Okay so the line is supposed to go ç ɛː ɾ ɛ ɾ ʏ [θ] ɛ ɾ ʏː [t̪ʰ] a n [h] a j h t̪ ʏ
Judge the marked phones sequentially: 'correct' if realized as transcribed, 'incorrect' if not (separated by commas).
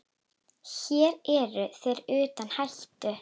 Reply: correct, incorrect, correct